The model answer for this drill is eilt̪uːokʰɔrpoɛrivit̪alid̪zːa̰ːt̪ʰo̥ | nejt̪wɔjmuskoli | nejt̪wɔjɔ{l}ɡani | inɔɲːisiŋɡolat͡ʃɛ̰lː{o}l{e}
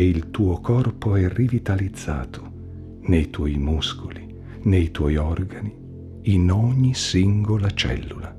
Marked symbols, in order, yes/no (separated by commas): no, no, no